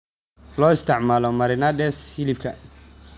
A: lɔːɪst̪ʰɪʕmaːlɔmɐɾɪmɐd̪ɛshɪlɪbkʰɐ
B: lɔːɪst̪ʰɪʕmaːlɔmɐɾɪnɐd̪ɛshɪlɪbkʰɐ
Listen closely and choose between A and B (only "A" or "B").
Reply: B